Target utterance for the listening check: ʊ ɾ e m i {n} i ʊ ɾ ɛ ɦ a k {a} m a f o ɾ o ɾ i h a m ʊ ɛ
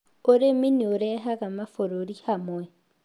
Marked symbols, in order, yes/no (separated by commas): yes, yes